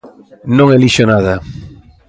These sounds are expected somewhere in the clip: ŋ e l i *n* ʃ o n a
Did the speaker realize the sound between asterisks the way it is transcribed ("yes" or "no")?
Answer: no